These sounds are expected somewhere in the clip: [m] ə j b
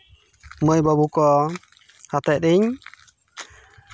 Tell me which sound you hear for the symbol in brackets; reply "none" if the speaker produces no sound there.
m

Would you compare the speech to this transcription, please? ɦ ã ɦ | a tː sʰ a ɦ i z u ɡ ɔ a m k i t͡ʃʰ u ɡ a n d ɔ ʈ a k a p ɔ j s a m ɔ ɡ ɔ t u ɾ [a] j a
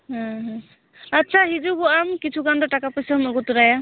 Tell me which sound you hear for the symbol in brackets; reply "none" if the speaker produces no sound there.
a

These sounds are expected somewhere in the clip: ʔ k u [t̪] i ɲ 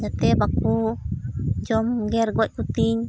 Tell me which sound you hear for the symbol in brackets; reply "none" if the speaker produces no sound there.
t̪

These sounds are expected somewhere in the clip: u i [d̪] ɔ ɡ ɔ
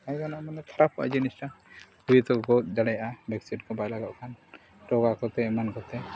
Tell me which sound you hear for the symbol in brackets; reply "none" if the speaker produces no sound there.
t̪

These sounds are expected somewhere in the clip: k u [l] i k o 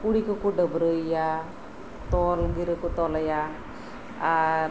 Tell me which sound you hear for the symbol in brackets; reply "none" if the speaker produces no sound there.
ɽ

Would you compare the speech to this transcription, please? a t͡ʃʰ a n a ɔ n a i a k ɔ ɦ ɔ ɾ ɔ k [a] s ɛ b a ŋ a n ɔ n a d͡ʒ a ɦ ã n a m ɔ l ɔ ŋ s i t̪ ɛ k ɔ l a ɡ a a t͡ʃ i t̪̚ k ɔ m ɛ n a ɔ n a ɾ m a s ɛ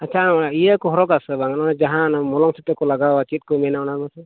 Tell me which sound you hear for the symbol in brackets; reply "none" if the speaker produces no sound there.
a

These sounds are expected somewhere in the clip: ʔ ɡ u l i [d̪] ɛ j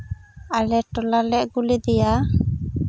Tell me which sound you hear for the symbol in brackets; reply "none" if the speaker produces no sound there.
d̪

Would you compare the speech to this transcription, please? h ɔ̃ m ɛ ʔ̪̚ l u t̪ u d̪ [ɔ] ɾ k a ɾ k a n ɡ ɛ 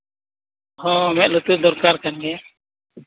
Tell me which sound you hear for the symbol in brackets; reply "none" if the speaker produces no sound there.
ɔ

